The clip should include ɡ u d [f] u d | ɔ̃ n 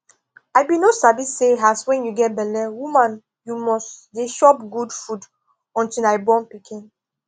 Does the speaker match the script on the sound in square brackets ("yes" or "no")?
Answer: yes